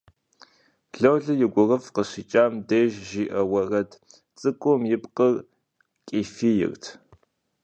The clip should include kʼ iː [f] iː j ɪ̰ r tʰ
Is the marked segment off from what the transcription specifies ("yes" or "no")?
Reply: no